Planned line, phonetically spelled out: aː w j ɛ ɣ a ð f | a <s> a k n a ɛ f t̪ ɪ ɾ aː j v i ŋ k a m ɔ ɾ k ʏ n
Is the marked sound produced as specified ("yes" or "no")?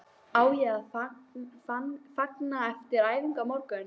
no